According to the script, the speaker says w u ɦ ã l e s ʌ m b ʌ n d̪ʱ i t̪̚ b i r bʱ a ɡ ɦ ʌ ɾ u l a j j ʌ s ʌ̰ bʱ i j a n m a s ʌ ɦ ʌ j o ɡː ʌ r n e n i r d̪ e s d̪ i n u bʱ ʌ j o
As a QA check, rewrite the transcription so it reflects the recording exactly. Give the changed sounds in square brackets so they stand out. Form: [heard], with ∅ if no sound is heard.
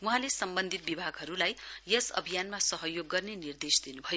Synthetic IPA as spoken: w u ɦ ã l e s ʌ m b ʌ n d̪ʱ i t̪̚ b i [∅] bʱ a ɡ ɦ ʌ ɾ u l a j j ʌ s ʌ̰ bʱ i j a n m a s ʌ ɦ ʌ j o ɡː ʌ r n e n i r d̪ e s d̪ i n u bʱ ʌ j o